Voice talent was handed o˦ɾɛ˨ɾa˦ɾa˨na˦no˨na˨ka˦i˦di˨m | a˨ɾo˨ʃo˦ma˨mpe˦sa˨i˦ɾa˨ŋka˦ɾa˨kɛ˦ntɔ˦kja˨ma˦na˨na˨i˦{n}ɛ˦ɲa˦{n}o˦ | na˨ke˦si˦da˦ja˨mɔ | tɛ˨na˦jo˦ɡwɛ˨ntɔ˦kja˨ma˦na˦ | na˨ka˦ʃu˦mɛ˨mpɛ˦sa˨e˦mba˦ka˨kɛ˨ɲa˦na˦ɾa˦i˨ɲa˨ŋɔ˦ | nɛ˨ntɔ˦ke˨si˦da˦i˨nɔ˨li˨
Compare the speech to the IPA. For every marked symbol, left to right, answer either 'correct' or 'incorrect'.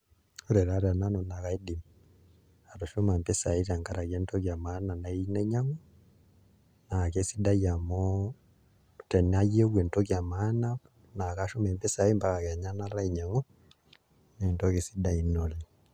correct, incorrect

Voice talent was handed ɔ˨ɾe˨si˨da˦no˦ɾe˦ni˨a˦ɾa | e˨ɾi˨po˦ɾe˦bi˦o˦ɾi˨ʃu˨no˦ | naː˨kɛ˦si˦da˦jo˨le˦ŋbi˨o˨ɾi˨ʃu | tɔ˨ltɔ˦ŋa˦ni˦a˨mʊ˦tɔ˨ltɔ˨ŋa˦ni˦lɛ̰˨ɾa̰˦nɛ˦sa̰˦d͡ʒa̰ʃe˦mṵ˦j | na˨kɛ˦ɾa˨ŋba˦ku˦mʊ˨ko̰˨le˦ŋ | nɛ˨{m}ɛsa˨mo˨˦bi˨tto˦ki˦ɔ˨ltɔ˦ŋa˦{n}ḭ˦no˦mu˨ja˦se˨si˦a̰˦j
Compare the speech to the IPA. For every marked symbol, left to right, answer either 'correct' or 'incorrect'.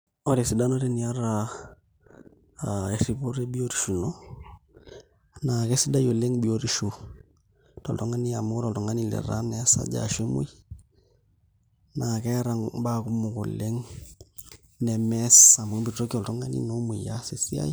correct, correct

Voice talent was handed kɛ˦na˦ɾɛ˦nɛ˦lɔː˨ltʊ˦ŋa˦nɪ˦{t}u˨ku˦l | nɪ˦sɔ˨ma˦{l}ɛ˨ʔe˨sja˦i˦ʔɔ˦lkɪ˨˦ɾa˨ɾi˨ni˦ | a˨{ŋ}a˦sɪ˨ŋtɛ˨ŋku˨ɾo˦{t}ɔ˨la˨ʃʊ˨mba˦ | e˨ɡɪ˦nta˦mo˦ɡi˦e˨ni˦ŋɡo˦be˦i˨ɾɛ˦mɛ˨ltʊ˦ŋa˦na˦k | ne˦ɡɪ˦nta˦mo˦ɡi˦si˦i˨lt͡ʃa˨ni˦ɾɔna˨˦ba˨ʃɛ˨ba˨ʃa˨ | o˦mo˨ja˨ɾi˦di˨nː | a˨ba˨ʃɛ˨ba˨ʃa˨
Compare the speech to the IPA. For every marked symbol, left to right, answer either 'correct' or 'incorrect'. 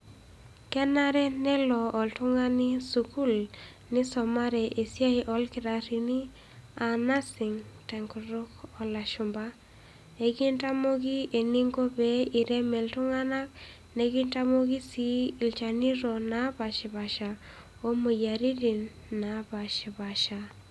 incorrect, incorrect, incorrect, incorrect

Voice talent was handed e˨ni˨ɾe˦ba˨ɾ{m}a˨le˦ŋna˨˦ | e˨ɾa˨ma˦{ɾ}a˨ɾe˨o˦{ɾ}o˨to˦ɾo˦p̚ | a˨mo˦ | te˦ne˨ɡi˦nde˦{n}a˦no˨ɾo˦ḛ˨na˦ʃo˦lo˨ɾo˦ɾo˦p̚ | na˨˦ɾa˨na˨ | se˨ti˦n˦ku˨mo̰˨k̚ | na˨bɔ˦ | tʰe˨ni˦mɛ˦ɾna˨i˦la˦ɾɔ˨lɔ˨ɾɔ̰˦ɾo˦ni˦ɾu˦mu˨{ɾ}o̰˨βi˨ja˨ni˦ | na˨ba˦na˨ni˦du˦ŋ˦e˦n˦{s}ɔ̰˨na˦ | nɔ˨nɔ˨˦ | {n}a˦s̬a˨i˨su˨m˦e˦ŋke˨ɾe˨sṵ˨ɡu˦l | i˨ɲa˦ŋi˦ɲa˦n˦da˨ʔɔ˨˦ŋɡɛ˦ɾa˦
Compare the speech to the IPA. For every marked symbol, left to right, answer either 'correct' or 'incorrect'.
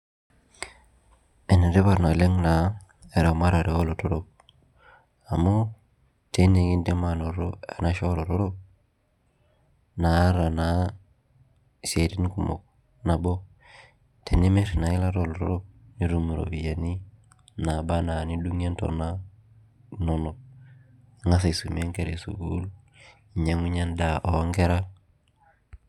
incorrect, correct, incorrect, incorrect, correct, incorrect, incorrect

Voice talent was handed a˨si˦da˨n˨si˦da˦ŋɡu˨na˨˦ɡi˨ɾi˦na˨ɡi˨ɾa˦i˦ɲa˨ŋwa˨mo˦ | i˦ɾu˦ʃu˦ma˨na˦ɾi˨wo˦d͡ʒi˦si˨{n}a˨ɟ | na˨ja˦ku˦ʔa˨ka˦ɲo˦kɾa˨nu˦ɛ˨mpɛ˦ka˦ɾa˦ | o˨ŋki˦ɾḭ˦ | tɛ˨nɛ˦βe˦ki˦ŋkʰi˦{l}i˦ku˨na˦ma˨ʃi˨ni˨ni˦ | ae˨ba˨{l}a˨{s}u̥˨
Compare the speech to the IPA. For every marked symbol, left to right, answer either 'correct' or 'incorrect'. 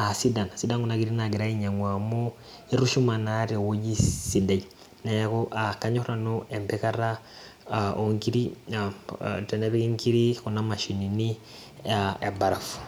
incorrect, incorrect, incorrect, incorrect

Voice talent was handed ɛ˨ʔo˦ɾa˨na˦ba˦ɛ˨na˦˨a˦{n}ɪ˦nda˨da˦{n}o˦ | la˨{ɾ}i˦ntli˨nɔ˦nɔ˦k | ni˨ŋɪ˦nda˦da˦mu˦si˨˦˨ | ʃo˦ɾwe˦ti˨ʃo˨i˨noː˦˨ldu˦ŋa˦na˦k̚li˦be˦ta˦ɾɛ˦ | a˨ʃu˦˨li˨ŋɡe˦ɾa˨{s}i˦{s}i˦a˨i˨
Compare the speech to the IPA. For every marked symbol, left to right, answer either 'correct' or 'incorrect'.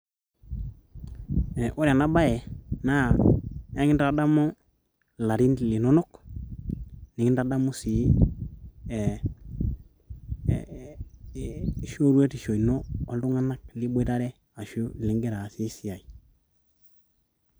incorrect, incorrect, correct, correct, correct

